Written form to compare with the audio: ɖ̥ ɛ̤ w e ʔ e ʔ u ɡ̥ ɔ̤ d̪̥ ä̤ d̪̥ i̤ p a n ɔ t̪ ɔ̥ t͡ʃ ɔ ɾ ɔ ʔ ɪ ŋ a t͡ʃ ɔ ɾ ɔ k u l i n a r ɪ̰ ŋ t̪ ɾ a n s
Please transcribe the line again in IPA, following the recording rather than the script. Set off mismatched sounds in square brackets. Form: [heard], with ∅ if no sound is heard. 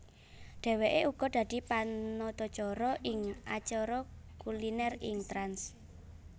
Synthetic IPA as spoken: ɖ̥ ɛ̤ w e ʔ e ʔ u ɡ̥ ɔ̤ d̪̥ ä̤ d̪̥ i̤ p a n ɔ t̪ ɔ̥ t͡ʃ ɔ ɾ ɔ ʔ ɪ ŋ a t͡ʃ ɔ ɾ ɔ k u l i n [ɛ] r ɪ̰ ŋ t̪ ɾ a n s